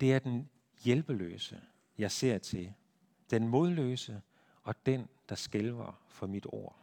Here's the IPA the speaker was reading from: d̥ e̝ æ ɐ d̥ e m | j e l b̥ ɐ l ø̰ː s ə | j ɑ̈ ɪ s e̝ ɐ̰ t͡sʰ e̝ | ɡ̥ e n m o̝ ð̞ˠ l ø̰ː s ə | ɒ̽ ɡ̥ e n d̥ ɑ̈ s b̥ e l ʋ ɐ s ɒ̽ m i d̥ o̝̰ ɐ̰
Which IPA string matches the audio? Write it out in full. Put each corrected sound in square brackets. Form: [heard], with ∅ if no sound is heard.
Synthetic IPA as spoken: d̥ e̝ æ ɐ d̥ e [n] | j e l b̥ [ə] l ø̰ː s ə | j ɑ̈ ɪ s e̝ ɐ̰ t͡sʰ e̝ | [d̥] e n m o̝ ð̞ˠ l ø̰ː s ə | ɒ̽ [d̥] e n d̥ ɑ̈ s [ɡ̥] e l ʋ ɐ [f] ɒ̽ m i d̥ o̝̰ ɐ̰